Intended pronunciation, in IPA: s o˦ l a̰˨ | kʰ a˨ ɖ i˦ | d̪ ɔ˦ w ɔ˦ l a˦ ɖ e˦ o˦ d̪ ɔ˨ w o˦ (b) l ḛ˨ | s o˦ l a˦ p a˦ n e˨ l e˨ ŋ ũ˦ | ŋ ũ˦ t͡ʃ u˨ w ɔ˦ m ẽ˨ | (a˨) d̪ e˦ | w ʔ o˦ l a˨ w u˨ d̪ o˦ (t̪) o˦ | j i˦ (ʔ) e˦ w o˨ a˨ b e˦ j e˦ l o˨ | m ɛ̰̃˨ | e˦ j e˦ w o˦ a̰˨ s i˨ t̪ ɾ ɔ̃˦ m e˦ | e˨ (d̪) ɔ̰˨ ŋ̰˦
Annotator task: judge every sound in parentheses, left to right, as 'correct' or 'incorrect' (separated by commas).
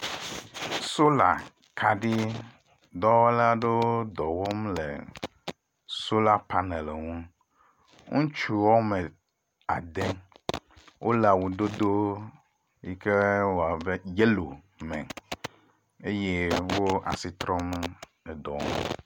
incorrect, correct, incorrect, incorrect, correct